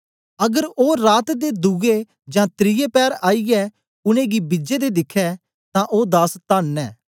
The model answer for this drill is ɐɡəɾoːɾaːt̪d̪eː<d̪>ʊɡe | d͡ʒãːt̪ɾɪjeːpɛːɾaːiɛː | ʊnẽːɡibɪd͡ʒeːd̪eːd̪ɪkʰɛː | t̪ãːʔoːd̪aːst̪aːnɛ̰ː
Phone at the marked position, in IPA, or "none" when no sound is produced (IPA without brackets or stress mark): d̪